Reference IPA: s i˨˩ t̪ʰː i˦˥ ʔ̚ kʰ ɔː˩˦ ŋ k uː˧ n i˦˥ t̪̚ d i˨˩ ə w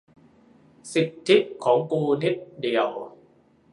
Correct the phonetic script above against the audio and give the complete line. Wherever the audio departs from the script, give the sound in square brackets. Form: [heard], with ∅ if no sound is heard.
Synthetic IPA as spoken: s i˨˩ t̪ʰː i˦˥ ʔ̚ kʰ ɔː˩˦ ŋ k uː˧ n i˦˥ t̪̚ d i˨˩ ə w

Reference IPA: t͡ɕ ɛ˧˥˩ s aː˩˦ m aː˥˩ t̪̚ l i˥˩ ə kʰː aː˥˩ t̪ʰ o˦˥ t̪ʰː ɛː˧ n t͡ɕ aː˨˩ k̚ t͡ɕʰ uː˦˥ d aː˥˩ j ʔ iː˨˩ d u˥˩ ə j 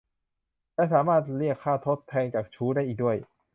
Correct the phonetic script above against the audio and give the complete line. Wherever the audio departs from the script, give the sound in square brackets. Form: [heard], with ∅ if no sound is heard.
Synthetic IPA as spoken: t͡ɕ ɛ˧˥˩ s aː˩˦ m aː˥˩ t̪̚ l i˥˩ ə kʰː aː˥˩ t̪ʰ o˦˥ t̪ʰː ɛː˧ [ŋ] t͡ɕ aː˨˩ k̚ t͡ɕʰ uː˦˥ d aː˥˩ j ʔ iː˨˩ d u˥˩ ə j

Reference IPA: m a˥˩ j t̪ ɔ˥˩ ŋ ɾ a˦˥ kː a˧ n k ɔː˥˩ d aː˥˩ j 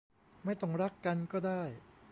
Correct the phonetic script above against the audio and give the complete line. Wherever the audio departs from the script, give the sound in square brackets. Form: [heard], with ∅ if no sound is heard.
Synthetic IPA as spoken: m a˥˩ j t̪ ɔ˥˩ ŋ ɾ a˦˥ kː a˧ n k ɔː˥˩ d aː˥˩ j

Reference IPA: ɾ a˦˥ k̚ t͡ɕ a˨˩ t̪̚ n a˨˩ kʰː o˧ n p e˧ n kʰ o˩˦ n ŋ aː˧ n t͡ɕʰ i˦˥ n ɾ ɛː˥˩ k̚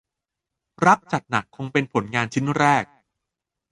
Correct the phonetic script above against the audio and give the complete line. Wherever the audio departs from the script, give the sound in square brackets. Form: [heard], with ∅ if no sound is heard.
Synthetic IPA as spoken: ɾ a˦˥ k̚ t͡ɕ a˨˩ t̪̚ n a˨˩ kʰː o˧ [ŋ] p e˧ n [pʰ] o˩˦ n ŋ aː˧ n t͡ɕʰ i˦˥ n ɾ ɛː˥˩ k̚

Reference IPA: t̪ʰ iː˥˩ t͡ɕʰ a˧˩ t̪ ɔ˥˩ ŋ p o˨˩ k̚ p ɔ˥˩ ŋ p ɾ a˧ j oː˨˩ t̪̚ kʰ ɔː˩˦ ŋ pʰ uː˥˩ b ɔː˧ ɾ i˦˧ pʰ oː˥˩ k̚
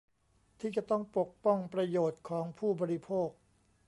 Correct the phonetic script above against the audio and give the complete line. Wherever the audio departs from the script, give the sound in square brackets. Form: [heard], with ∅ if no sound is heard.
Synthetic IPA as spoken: t̪ʰ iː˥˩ [t͡ɕ] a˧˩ t̪ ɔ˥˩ ŋ p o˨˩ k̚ p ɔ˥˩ ŋ p ɾ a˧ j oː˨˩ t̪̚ kʰ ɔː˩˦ ŋ pʰ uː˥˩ b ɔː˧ ɾ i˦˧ pʰ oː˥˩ k̚

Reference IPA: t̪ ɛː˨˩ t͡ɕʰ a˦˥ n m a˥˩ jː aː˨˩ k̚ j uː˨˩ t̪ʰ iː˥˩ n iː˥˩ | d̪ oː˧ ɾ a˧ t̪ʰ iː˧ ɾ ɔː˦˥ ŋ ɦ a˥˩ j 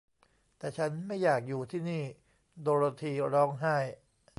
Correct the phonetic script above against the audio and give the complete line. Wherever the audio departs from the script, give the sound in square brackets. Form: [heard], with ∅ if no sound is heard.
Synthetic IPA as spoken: t̪ ɛː˨˩ t͡ɕʰ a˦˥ n m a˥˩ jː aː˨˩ k̚ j uː˨˩ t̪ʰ iː˥˩ n iː˥˩ | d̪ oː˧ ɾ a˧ t̪ʰ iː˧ ɾ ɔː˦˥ ŋ ɦ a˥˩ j

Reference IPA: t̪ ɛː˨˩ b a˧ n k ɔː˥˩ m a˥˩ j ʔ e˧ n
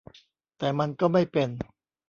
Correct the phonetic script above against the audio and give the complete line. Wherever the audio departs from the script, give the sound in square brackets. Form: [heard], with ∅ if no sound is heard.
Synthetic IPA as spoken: t̪ ɛː˨˩ [m] a˧ n k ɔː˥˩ m a˥˩ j [p] e˧ n

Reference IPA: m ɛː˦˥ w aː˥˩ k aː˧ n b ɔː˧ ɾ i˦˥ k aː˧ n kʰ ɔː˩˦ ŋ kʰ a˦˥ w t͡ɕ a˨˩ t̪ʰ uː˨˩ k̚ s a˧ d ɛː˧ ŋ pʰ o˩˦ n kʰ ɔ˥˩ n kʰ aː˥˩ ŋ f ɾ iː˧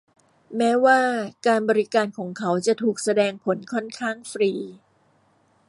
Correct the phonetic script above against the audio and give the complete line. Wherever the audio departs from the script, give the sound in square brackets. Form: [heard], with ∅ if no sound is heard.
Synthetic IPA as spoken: m ɛː˦˥ w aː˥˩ k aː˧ n b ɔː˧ ɾ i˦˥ k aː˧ n kʰ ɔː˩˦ ŋ kʰ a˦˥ w t͡ɕ a˨˩ t̪ʰ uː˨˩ k̚ s a˧ d ɛː˧ ŋ pʰ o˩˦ n kʰ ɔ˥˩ n kʰ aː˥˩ ŋ f ɾ iː˧

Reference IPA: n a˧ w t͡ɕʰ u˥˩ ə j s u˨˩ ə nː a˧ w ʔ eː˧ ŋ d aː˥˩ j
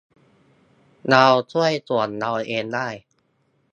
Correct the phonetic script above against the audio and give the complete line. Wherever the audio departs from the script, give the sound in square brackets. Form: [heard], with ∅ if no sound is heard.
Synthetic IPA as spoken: n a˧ w t͡ɕʰ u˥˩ ə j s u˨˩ ə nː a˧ w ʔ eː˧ [n] d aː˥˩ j

